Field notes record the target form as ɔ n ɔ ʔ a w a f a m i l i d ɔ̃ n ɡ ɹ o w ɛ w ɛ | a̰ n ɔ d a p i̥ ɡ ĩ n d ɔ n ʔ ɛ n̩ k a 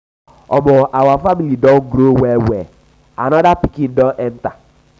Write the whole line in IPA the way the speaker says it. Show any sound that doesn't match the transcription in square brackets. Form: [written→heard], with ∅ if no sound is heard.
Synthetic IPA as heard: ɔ [n→m] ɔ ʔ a w a f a m i l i d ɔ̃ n ɡ [ɹ→ɾ] o w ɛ w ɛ | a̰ n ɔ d a p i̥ [ɡ→k] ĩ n d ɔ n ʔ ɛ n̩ [k→t] a